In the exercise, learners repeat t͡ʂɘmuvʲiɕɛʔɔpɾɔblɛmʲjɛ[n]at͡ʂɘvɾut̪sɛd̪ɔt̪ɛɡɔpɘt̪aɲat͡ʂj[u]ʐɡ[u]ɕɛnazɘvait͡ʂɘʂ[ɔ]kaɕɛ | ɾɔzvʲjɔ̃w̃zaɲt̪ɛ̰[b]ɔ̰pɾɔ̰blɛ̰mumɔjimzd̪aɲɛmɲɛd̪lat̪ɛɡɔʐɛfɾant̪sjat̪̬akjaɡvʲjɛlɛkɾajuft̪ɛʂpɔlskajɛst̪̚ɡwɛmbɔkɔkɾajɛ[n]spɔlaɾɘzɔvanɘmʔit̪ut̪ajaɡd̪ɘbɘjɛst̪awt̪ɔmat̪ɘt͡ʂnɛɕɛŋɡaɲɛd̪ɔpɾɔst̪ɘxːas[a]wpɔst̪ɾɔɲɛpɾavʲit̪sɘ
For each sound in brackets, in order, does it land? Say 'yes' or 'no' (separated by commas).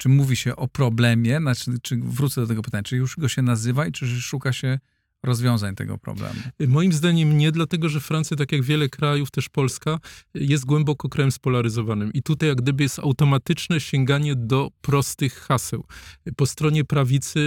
yes, yes, no, no, no, no, no